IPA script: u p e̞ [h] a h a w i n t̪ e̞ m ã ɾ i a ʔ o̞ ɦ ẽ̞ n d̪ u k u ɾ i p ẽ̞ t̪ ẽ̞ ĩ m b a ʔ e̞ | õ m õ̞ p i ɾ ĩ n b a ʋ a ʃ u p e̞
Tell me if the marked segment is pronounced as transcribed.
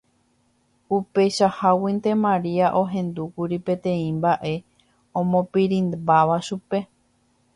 no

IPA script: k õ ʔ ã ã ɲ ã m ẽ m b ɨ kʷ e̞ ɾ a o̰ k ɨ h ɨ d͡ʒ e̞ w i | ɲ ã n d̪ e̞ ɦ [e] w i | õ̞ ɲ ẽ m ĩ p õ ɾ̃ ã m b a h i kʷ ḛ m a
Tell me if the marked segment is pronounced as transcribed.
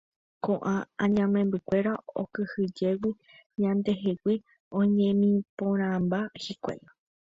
yes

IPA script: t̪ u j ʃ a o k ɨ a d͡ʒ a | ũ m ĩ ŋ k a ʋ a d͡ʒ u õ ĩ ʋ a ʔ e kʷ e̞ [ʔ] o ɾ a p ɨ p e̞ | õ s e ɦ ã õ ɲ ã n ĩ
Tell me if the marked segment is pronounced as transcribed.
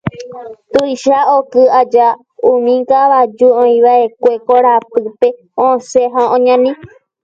no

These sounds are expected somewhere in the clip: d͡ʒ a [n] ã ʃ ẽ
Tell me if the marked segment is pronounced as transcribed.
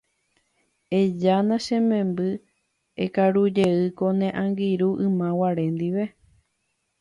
yes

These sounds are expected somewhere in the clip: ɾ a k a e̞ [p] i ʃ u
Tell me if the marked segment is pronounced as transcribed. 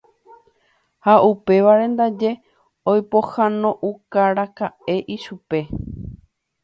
no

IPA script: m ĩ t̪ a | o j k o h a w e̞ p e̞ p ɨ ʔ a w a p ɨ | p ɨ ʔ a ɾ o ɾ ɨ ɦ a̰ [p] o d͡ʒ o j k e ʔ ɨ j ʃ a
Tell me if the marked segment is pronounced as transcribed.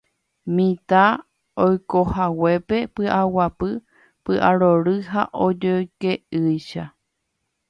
no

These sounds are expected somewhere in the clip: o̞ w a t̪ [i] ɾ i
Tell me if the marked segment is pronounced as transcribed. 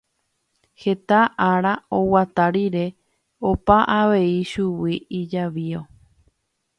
no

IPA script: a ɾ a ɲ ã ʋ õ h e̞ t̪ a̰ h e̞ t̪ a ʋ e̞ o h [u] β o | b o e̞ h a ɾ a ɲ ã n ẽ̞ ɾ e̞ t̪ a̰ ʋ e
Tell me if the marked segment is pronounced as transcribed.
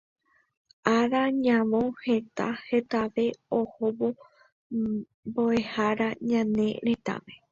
no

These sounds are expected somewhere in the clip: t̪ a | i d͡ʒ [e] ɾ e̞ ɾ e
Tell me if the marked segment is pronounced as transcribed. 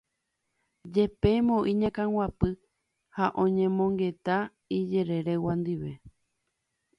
yes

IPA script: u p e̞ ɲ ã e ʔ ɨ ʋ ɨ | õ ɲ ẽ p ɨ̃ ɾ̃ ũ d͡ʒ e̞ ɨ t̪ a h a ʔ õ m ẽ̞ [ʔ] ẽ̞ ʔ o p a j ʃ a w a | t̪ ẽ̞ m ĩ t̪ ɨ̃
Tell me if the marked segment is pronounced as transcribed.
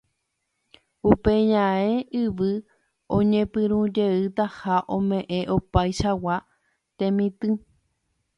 yes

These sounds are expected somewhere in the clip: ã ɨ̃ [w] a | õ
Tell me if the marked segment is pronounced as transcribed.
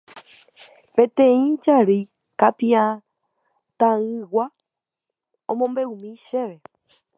yes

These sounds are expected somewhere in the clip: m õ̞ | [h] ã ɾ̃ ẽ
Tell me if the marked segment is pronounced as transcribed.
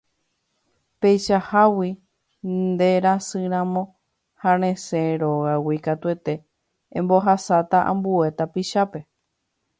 yes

